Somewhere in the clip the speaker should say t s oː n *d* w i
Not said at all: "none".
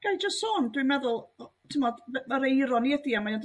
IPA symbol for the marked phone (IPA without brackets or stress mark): d